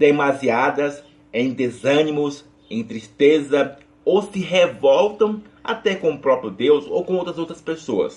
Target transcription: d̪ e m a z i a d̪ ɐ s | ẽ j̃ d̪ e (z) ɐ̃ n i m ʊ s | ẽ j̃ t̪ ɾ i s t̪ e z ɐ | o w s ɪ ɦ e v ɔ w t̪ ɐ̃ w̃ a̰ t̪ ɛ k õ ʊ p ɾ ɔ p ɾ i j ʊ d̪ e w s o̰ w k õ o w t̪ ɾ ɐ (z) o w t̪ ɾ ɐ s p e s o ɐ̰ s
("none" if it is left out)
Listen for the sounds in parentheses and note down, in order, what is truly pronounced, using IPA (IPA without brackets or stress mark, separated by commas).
z, z